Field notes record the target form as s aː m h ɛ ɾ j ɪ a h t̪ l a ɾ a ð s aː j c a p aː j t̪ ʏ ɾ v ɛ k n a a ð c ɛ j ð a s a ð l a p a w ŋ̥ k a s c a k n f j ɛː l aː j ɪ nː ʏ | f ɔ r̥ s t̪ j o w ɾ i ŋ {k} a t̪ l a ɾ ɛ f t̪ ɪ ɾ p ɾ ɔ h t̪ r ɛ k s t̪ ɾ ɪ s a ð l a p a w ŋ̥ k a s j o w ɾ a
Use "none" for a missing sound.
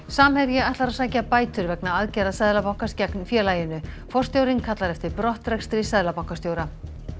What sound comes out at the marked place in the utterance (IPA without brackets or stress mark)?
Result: kʰ